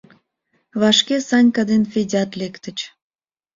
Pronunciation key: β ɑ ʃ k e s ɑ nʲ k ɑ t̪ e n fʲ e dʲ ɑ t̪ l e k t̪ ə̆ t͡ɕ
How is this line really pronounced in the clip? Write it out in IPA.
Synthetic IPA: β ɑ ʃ k e s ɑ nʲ k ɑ d̪ e n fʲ e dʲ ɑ t̪ l e k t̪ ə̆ t͡ɕ

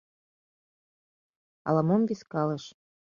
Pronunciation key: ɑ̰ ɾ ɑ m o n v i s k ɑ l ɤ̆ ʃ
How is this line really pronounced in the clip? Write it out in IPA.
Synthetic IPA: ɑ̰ l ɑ m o m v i s k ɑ l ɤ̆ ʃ

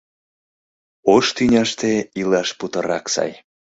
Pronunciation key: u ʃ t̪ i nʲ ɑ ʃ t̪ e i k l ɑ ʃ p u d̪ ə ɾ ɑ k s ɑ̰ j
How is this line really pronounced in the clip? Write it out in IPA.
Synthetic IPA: o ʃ t̪ y nʲ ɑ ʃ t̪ e i l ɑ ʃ p u t̪ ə ɾ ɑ k s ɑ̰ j

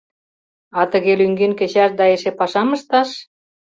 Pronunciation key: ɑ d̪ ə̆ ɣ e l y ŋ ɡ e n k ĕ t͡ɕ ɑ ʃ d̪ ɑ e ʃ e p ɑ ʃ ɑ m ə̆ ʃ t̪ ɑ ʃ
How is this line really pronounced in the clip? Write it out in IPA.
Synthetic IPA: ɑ t̪ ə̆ ɣ e l y ŋ ɡ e n k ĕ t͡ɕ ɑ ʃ d̪ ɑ e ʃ e p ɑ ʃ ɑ m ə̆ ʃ t̪ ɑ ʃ

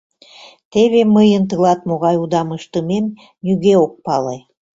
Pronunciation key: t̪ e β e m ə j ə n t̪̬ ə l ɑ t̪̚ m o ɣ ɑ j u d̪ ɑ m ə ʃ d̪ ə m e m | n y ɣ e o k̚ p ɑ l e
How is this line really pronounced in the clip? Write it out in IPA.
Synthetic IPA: t̪ e β e m ə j ə n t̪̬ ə l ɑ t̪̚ m o ɣ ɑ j u d̪ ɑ m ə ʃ t̪ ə m e m | n y ɣ e o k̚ p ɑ l e

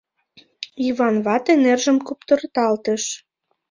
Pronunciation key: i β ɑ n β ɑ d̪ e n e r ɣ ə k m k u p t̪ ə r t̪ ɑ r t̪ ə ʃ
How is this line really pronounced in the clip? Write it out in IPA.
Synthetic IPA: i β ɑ n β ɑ t̪ e n e r ʒ ə m k u p t̪ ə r t̪ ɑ l t̪ ə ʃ

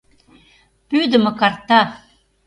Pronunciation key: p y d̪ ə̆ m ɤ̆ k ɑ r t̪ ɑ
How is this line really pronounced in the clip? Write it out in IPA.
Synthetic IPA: p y d̪ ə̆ m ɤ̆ k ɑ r t̪ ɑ

